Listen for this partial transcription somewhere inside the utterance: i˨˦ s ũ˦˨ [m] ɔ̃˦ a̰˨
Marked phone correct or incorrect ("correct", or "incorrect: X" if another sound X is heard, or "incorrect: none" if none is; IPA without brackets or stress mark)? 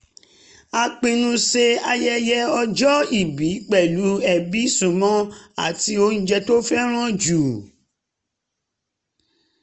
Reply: correct